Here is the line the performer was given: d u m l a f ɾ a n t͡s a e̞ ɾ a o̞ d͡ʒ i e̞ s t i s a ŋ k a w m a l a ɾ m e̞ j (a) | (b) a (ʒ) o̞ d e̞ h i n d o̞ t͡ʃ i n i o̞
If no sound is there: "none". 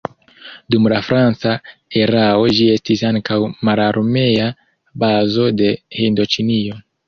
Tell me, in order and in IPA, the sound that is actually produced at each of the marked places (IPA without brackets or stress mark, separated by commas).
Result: a, b, z